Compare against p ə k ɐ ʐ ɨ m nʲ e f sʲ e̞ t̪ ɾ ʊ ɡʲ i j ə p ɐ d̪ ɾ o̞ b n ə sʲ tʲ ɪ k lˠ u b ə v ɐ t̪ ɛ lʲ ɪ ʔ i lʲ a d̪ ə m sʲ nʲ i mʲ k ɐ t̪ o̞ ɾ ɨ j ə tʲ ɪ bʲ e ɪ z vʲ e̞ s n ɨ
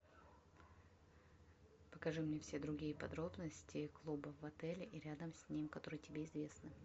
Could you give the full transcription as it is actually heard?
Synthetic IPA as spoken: p ə k ɐ ʐ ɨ m nʲ e f sʲ e̞ d̪ ɾ ʊ ɡʲ i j ə p ɐ d̪ ɾ o̞ b n ə sʲ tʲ ɪ k lˠ u b ə v ɐ t̪ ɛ lʲ ɪ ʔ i ɾʲ a d̪ ə m sʲ nʲ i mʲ k ɐ t̪ o̞ ɾ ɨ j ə tʲ ɪ bʲ e ɪ z vʲ e̞ s n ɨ